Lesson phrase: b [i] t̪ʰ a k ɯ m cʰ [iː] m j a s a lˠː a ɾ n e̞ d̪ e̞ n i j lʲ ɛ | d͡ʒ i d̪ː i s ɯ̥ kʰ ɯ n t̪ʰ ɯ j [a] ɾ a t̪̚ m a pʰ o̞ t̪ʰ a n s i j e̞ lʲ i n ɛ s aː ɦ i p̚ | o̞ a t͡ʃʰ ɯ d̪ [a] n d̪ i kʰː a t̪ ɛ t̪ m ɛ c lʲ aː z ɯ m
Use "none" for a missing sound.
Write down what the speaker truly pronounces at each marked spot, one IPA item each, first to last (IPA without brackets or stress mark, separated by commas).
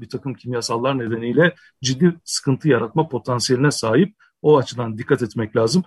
i, i, a, a